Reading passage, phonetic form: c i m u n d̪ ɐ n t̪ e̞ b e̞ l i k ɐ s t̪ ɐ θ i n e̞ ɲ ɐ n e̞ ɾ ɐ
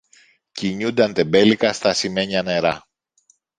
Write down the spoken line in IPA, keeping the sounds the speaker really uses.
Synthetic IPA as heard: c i ɲ u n d̪ ɐ n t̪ e̞ b e̞ l i k ɐ s t̪ ɐ s i m e̞ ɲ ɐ n e̞ ɾ ɐ